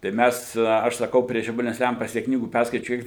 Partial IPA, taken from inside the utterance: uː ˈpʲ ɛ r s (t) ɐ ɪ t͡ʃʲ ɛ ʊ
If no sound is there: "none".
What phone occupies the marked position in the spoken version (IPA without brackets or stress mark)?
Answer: k